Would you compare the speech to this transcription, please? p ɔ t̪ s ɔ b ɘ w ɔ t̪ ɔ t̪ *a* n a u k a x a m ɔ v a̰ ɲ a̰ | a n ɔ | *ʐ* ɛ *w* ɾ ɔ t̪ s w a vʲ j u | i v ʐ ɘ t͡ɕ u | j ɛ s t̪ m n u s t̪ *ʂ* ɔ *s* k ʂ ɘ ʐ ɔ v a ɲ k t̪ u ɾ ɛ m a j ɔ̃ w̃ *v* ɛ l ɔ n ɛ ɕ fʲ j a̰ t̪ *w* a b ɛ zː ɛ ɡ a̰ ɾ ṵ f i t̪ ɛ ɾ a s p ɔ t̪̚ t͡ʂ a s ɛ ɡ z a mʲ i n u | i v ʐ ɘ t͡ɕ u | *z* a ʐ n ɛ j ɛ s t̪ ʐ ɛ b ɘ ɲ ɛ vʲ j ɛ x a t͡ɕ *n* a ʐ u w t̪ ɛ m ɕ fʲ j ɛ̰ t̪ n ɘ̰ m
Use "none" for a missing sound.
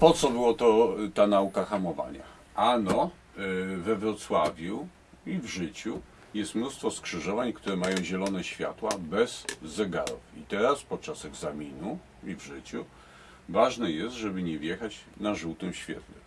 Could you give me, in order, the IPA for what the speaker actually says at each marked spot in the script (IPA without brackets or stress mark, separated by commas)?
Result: a, v, v, f, s, ʑ, w, v, n